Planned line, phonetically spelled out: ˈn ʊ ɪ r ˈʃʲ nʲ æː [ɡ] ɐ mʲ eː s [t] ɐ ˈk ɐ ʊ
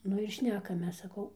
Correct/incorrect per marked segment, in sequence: incorrect: k, incorrect: s

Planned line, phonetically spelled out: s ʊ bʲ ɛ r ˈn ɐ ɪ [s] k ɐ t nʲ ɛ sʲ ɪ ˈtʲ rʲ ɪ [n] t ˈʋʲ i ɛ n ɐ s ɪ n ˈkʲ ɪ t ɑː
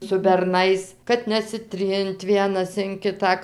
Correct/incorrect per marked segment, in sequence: correct, correct

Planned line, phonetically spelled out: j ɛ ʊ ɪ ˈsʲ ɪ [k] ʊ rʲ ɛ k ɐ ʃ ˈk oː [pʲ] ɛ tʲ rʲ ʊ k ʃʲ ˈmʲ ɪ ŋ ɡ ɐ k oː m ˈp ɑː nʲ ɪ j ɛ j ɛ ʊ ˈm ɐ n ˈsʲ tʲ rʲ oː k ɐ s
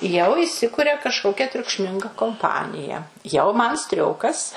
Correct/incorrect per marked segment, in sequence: correct, incorrect: kʲ

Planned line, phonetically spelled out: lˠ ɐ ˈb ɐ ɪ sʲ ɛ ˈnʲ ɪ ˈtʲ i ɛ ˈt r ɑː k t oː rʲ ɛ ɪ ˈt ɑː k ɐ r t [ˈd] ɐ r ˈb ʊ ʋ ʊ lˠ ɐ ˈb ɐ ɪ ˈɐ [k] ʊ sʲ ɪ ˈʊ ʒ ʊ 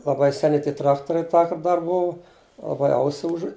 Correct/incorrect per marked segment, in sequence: correct, incorrect: none

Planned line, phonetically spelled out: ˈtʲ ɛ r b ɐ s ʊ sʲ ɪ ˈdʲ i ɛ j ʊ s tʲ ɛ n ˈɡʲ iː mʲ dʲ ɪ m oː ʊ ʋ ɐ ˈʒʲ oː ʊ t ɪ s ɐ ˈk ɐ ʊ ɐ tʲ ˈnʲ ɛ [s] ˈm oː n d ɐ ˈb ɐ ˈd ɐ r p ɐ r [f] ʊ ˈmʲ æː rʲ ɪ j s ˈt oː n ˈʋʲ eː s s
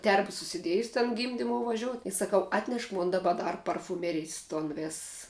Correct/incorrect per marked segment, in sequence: incorrect: ʃ, correct

